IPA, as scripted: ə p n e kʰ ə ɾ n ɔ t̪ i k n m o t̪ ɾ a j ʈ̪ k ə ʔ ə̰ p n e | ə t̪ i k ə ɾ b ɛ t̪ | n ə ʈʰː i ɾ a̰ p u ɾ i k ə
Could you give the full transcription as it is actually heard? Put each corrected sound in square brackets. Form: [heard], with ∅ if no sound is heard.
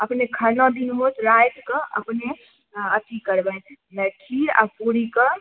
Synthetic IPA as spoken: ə p n e kʰ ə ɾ n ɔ [d̪] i [∅] n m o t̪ ɾ a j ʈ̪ k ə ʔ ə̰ p n e | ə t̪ i k ə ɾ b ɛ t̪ | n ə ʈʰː i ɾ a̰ p u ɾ i k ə